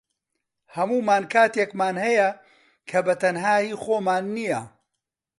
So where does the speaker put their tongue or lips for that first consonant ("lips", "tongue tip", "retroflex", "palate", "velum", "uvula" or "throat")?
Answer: throat